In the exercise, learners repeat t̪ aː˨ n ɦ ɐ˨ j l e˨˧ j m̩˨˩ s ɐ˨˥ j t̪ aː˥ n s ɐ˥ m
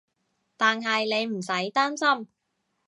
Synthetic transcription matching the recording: t̪ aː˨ n ɦ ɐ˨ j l e˨˧ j m̩˨˩ s ɐ˨˥ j t̪ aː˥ n s ɐ˥ m

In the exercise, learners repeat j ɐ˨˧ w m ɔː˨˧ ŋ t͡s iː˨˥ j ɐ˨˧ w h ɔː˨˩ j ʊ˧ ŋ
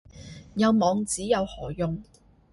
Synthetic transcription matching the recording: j ɐ˨˧ w m ɔː˨˧ ŋ t͡s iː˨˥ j ɐ˨˧ w h ɔː˨˩ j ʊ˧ ŋ

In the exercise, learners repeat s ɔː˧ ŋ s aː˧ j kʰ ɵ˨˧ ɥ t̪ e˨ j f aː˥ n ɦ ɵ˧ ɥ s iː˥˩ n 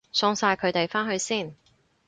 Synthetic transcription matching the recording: s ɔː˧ ŋ s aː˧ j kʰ ɵ˨˧ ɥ t̪ e˨ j f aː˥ n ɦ ɵ˧ ɥ s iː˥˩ n

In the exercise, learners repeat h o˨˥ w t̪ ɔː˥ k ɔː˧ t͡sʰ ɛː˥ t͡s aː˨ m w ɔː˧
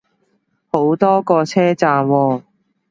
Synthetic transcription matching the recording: h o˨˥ w t̪ ɔː˥ k ɔː˧ t͡sʰ ɛː˥ t͡s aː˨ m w ɔː˧

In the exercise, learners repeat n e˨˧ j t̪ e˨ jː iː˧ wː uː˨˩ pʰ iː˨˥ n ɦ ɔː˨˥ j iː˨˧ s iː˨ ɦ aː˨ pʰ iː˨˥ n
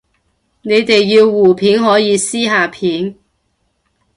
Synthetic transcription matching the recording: n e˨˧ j t̪ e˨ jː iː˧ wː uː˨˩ pʰ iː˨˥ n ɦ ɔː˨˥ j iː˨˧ s iː˥ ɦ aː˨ pʰ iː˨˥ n

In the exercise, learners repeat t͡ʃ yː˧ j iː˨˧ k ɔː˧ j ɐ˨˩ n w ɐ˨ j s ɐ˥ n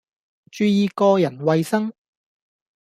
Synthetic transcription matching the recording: t͡ʃ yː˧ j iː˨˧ k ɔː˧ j ɐ˨˩ n w ɐ˨ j s ɐ˥ ŋ

